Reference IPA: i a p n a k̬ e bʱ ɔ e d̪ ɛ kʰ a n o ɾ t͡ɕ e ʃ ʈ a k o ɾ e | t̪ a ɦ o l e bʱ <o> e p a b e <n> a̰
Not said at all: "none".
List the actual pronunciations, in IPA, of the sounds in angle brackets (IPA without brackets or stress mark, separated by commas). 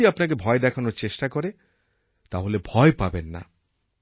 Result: ɔ, nː